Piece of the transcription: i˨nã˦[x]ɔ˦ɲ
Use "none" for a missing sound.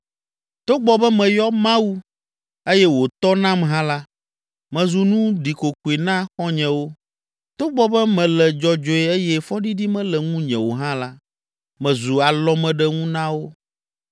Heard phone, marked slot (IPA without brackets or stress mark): x